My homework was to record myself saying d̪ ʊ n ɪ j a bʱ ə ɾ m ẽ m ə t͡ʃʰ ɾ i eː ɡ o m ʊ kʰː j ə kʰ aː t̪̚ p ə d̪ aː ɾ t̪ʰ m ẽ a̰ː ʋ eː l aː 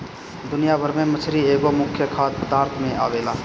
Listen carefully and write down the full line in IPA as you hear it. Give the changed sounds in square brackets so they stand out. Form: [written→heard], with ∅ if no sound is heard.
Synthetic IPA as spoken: d̪ ʊ n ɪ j a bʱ ə ɾ m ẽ m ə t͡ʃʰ ɾ i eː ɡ o m ʊ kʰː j ə kʰ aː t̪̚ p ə d̪ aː ɾ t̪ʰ m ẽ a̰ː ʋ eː l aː